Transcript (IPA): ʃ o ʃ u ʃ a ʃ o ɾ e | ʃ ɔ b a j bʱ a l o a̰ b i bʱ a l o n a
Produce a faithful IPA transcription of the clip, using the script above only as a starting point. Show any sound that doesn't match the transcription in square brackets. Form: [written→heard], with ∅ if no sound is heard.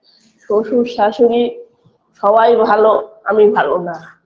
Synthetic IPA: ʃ o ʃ u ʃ a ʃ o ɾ [e→i] | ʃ ɔ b a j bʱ a l o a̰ [b→m] i bʱ a l o n a